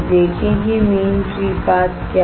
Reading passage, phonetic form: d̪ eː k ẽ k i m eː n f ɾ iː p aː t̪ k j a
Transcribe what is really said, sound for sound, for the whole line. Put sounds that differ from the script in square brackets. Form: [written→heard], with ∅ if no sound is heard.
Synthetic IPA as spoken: d̪ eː [k→kʰ] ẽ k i m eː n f ɾ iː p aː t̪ k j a